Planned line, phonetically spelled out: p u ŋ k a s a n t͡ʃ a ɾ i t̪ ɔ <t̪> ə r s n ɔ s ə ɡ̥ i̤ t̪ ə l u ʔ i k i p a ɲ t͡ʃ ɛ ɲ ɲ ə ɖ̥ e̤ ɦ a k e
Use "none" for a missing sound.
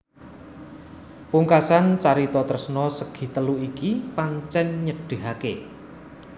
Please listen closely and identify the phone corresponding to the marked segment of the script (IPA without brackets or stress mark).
t̪